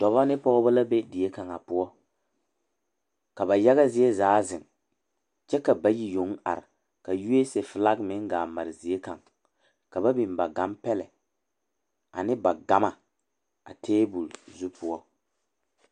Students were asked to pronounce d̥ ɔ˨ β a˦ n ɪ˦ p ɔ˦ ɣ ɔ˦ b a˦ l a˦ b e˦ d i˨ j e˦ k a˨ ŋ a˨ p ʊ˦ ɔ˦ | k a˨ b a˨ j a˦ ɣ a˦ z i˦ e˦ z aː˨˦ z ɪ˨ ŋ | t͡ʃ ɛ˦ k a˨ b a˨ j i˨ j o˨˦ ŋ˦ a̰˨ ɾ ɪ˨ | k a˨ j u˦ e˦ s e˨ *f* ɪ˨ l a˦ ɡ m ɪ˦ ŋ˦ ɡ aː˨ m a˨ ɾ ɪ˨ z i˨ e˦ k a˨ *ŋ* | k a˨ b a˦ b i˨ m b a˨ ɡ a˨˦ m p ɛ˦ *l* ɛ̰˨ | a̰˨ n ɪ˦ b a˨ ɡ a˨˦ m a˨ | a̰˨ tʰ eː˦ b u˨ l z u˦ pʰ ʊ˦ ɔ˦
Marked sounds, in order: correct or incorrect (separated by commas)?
correct, correct, correct